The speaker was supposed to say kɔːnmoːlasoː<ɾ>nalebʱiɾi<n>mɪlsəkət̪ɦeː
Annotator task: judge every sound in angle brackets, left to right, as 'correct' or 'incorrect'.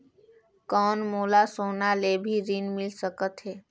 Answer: incorrect, correct

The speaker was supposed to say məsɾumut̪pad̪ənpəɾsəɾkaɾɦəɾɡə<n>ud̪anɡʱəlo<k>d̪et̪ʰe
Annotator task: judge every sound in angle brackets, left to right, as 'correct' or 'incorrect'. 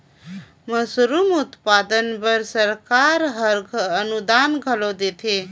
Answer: correct, incorrect

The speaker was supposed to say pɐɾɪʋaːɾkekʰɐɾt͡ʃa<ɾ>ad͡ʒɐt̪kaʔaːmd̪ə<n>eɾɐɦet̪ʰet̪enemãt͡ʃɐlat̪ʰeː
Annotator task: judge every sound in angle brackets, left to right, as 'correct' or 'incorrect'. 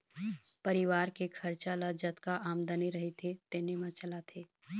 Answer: incorrect, correct

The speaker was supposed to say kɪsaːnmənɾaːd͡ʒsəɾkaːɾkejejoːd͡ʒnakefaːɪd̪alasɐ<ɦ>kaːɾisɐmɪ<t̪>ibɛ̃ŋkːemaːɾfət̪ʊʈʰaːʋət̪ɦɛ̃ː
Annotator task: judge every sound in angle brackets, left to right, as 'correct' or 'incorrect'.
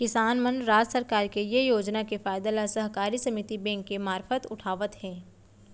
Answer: correct, correct

